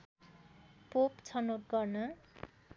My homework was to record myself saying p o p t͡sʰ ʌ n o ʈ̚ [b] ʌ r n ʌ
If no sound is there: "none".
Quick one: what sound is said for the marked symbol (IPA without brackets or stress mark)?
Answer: ɡ